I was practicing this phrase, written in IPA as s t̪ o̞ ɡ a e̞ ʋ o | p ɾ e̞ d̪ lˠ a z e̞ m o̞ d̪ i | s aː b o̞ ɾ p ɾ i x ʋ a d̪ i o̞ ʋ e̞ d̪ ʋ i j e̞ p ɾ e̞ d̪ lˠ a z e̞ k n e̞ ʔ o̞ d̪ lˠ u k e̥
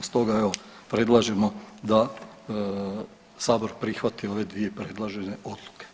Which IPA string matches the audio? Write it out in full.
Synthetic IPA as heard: s t̪ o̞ ɡ a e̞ ʋ o | p ɾ e̞ d̪ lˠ a ʒ e̞ m o̞ d̪ a | s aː b o̞ ɾ p ɾ i x ʋ a t̪ i o̞ ʋ e̞ d̪ ʋ i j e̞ p ɾ e̞ d̪ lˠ a ʒ e̞ n e̞ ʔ o̞ d̪ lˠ u k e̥